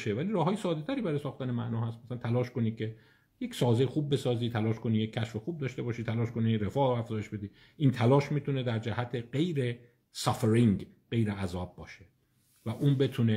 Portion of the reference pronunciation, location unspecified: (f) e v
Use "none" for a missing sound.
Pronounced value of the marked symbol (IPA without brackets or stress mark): ʃ